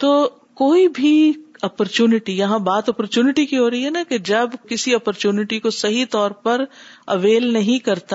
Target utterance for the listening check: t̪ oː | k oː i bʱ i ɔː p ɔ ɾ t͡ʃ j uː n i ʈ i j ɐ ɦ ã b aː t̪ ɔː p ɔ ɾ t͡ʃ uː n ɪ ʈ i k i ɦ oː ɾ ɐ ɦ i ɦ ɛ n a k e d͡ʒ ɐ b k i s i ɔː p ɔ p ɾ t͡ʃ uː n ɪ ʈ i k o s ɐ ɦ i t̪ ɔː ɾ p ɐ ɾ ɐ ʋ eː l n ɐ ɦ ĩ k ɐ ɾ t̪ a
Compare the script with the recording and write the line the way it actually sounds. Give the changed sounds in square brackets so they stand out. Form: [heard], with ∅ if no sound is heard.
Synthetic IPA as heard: t̪ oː | k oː i bʱ i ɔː p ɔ ɾ t͡ʃ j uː n [ɪ] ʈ i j ɐ ɦ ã b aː t̪ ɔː p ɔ ɾ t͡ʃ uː n ɪ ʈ i k i ɦ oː ɾ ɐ ɦ i ɦ ɛ n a k e d͡ʒ ɐ b k [ɪ] s i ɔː p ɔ [∅] ɾ t͡ʃ uː n ɪ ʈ i k o s ɐ ɦ i t̪ ɔː ɾ p ɐ ɾ ɐ ʋ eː l n ɐ ɦ ĩ k ɐ ɾ t̪ a